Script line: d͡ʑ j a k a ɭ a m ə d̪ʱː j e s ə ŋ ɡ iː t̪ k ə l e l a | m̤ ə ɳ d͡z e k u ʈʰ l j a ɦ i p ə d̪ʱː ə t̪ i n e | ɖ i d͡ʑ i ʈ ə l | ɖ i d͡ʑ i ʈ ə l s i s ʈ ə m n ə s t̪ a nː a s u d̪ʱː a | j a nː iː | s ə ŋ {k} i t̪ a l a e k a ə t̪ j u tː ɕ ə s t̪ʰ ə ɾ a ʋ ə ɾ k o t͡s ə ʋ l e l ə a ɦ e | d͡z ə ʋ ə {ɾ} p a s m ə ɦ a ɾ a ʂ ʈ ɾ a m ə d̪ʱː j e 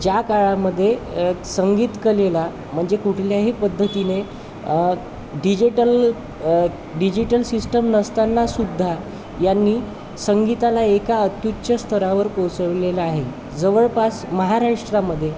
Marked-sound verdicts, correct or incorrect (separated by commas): incorrect, incorrect